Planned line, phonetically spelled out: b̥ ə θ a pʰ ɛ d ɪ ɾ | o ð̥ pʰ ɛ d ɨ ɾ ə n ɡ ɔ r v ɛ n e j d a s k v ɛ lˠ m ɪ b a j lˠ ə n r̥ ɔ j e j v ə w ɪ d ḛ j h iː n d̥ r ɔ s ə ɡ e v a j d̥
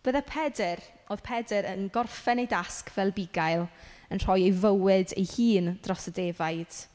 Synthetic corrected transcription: b̥ ə ð a pʰ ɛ d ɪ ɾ | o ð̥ pʰ ɛ d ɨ ɾ ə n ɡ ɔ r f ɛ n e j d a s k v ɛ lˠ b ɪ ɡ a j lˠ ə n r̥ ɔ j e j v ə w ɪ d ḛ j h iː n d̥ r ɔ s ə d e v a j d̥